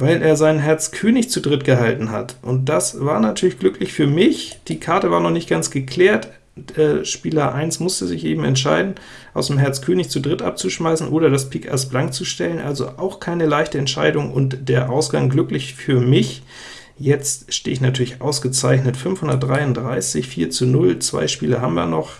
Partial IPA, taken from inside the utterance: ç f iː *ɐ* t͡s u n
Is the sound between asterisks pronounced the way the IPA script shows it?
yes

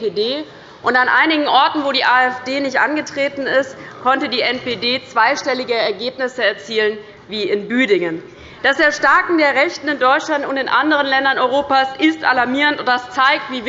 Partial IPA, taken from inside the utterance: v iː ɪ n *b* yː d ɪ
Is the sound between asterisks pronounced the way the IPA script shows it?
yes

